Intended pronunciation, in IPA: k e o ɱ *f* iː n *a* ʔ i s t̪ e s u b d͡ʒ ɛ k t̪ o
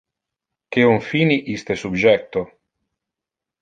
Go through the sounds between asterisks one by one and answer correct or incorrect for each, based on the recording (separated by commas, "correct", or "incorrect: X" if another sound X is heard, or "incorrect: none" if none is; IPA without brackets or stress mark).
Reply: correct, incorrect: i